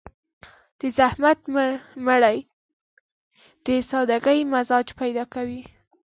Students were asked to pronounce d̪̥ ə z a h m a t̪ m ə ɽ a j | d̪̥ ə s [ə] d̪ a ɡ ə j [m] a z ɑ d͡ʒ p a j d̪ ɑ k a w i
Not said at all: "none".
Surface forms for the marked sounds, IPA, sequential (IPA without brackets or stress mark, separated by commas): ɑ, m